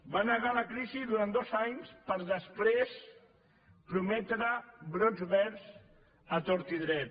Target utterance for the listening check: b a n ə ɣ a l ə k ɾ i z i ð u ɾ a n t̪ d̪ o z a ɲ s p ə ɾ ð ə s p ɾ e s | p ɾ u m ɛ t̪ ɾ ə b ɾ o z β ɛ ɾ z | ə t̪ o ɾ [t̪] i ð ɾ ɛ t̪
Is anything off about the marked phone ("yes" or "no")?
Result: no